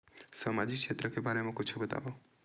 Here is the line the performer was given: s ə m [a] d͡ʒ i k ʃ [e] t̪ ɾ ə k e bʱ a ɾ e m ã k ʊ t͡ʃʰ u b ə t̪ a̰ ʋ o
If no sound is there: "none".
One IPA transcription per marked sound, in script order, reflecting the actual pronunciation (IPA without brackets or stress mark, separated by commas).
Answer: a, e